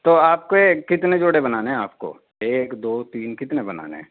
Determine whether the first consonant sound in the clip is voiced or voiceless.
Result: voiceless